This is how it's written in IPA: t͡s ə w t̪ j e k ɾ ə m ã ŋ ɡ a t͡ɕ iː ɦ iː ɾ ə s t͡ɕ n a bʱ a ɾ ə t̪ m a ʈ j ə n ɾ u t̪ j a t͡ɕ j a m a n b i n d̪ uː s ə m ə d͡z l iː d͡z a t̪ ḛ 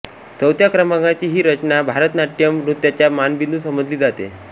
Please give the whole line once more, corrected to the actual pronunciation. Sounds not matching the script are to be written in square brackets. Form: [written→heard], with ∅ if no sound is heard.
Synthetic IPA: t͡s ə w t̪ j [e→a] k ɾ ə m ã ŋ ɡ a t͡ɕ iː ɦ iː ɾ ə [s→∅] t͡ɕ n a bʱ a ɾ ə t̪ [m→n] a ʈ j ə [n→m] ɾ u t̪ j a t͡ɕ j a m a n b i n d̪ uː s ə m ə d͡z l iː d͡z a t̪ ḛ